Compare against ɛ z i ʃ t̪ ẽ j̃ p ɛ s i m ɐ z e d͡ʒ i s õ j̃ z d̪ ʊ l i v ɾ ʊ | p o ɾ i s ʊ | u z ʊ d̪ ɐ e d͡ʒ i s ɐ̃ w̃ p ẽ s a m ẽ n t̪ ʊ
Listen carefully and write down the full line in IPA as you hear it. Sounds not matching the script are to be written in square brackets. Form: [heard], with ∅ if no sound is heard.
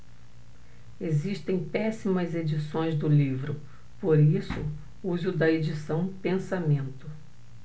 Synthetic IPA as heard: [e] z i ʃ t̪ ẽ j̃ p ɛ s i m ɐ z e d͡ʒ i s õ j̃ z d̪ ʊ l i v ɾ ʊ | p o ɾ i s ʊ | u z ʊ d̪ ɐ e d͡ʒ i s ɐ̃ w̃ p ẽ s a m ẽ n t̪ ʊ